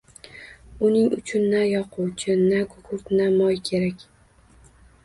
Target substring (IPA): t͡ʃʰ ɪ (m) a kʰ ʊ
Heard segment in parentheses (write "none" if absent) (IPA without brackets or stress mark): n